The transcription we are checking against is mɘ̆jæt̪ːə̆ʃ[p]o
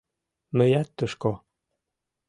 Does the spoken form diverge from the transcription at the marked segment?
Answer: yes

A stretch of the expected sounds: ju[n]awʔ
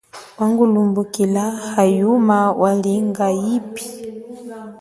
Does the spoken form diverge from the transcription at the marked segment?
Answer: yes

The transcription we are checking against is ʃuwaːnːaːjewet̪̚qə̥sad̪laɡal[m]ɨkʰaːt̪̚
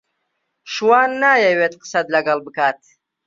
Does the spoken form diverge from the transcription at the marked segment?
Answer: yes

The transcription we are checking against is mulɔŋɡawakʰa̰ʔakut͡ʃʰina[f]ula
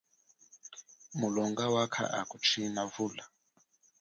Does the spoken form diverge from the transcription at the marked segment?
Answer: yes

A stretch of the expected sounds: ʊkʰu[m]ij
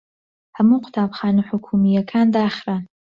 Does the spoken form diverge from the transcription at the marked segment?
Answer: no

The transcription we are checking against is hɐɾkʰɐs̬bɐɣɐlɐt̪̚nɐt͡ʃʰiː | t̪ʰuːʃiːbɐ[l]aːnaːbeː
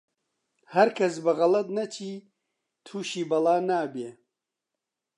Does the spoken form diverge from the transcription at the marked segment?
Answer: no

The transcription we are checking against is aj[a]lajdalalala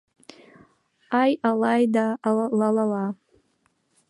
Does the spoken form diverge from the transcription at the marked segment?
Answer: no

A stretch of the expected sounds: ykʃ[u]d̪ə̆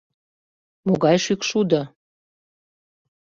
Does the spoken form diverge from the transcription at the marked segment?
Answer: no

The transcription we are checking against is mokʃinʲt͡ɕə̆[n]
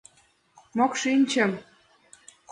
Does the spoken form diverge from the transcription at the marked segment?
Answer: yes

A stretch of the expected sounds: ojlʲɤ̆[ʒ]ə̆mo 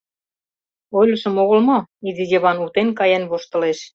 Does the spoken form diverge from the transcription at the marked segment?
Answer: yes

